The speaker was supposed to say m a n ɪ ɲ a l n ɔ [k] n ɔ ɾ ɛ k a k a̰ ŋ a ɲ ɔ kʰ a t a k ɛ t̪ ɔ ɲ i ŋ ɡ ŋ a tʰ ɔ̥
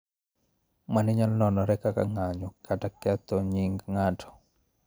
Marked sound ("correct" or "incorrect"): incorrect